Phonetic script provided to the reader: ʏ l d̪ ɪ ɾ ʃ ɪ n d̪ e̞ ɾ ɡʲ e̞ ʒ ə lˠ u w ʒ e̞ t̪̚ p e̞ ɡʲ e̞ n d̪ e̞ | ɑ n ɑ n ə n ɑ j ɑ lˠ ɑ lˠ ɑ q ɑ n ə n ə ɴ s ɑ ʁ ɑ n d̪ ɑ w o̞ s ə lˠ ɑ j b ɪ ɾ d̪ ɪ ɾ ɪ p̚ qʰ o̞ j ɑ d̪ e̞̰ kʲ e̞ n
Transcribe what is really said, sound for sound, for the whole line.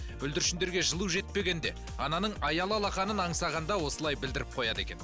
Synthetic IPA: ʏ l d̪ ɪ ɾ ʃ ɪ n d̪ e̞ ɾ ɡʲ e̞ ʒ ə lˠ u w ʒ e̞ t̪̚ p e̞ ɡʲ e̞ n d̪ e̞ | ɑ n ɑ n ə ɴ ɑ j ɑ lˠ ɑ lˠ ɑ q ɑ n ə n ɑ ɴ s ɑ ʁ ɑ n d̪ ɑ w o̞ s ə lˠ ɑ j b ɪ l d̪ ɪ ɾ ɪ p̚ qʰ o̞ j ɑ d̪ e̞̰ kʲ e̞ n

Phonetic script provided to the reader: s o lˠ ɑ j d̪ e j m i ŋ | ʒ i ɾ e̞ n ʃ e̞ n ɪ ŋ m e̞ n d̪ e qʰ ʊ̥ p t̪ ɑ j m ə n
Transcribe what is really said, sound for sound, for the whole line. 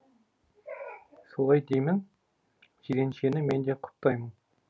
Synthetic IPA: s o lˠ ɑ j d̪ e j m ɪ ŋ | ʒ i ɾ e̞ n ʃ e̞ n ɪ m e̞ n d̪ e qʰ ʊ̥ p t̪ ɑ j m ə n

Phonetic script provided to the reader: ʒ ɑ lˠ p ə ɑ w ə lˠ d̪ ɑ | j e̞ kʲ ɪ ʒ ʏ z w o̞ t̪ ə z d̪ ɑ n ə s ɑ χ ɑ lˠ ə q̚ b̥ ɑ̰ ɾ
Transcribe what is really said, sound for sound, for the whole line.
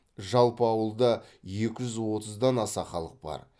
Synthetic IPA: ʒ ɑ lˠ p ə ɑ w ə lˠ d̪ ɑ | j e̞ kʲ ɪ ʒ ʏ z w o̞ t̪ ə z d̪ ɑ n ɑ s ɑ χ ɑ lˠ ə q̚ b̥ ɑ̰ ɾ

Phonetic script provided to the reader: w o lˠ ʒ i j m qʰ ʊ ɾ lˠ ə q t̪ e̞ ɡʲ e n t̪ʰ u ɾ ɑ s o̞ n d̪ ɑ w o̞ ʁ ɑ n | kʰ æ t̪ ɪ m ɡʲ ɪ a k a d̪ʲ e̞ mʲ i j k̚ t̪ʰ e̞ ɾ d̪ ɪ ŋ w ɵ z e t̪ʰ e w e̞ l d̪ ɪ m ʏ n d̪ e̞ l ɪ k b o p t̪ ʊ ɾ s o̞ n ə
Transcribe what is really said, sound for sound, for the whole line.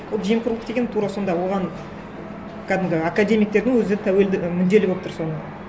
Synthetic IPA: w o lˠ ʒ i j m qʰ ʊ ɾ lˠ ə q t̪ e̞ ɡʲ e n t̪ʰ u ɾ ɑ s o̞ n d̪ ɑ w o̞ ʁ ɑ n | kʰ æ d̪ ɪ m ɡʲ ɪ a k a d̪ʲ e̞ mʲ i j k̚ t̪ e̞ ɾ d̪ ɪ ŋ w ɵ z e t̪ʰ æ w e̞ l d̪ ɪ m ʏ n d̪ e̞ l ɪ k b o p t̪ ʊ ɾ s o̞ n ə

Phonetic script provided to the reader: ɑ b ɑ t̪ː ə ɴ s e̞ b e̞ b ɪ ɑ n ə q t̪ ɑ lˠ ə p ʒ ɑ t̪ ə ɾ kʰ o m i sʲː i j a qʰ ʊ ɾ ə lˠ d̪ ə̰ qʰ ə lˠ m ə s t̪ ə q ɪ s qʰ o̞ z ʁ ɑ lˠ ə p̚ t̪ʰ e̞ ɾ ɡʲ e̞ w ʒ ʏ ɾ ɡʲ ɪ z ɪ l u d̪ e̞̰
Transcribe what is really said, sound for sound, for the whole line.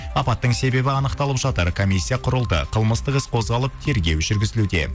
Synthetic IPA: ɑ p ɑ t̪ː ə ɴ s e̞ b e̞ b ɪ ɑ n ə q t̪ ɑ lˠ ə p ʒ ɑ t̪ ə ɾ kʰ o m i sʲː i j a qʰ ʊ ɾ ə lˠ d̪ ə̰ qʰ ə lˠ m ə s t̪ ə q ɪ s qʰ o̞ z ʁ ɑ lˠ ə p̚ t̪ʰ e̞ ɾ ɡʲ e̞ w ʒ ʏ ɾ ɡʲ ɪ z ɪ l u d̪ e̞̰

